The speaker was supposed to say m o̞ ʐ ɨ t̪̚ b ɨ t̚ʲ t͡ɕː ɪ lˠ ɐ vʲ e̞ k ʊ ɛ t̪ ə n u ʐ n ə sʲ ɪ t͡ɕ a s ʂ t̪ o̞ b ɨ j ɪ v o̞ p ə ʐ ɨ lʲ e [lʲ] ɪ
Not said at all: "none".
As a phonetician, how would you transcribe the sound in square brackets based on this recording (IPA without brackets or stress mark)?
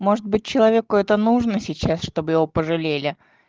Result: lʲ